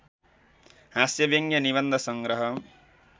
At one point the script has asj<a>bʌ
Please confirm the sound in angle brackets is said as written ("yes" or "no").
no